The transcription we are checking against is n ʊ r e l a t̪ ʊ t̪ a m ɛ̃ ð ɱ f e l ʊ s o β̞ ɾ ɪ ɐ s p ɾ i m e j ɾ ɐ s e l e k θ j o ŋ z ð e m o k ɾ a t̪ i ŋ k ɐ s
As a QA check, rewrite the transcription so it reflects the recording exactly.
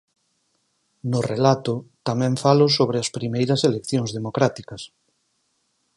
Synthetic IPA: n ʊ r e l a t̪ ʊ t̪ a m ɛ̃ ɱ f a l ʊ s o β̞ ɾ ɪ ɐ s p ɾ i m e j ɾ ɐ s e l e k θ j o ŋ z ð e m o k ɾ a t̪ i k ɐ s